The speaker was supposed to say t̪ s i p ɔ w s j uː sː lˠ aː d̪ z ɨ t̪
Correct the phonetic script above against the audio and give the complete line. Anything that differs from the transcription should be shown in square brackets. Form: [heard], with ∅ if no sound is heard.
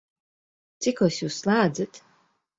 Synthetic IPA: t̪ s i [k] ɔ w s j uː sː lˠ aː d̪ z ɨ t̪